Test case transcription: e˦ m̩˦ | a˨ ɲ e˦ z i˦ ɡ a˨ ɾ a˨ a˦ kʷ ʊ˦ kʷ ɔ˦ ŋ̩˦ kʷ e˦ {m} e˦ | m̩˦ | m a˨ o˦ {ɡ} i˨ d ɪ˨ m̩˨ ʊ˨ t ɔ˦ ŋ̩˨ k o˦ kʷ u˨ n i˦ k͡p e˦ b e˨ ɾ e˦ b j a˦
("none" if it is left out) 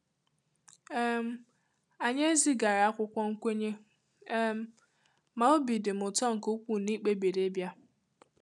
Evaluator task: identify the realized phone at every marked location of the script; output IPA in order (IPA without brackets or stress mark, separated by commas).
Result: ɲ, b